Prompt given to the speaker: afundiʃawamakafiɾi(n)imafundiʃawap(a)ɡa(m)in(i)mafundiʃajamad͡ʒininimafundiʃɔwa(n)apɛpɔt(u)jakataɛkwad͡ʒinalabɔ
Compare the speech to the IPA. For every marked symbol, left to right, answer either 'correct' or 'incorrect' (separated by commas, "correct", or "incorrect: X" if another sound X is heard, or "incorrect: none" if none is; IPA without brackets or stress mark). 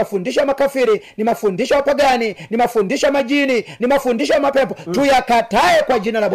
correct, correct, incorrect: n, correct, incorrect: m, correct